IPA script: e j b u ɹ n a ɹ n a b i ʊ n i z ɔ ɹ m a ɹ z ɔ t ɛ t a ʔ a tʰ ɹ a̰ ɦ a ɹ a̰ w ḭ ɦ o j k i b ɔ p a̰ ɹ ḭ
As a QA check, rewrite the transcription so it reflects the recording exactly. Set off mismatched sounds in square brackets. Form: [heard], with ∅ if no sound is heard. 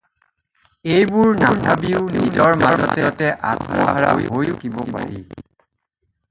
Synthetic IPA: e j b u ɹ n a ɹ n a b i ʊ n i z ɔ ɹ m a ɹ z ɔ t ɛ t [ɛ] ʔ a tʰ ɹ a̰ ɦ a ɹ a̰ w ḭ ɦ o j k i b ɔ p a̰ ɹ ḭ